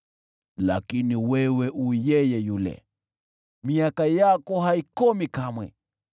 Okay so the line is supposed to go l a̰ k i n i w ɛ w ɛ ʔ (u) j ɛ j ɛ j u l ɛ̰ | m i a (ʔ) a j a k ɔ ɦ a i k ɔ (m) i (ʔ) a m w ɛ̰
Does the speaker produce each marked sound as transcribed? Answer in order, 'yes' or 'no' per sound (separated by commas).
yes, no, yes, no